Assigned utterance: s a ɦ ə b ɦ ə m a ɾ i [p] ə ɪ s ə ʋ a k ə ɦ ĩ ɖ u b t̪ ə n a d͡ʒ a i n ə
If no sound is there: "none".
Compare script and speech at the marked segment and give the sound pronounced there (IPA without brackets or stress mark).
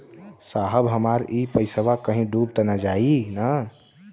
p